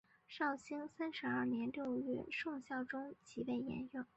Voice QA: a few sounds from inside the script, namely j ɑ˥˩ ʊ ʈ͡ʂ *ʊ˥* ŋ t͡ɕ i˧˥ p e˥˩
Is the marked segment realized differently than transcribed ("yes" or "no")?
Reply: no